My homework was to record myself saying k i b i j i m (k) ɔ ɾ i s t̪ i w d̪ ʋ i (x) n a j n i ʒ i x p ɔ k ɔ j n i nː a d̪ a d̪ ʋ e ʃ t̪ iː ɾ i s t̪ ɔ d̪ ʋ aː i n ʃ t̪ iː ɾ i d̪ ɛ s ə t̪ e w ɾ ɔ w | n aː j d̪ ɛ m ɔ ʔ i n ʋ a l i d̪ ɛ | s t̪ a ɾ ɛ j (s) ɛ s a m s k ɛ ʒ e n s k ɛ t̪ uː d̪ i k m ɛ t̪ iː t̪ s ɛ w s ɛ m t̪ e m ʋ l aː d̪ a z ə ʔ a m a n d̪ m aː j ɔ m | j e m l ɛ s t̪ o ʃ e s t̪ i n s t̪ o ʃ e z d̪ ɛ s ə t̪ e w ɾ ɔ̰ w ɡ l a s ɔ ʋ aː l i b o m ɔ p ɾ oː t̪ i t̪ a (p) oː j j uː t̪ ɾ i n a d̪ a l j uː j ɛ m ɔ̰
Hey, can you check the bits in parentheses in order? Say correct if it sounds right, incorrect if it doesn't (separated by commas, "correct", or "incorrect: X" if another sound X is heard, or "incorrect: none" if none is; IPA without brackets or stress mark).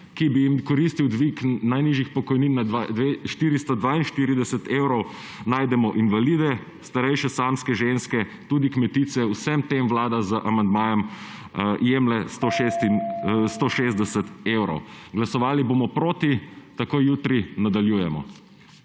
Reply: correct, incorrect: k, incorrect: ʃ, incorrect: k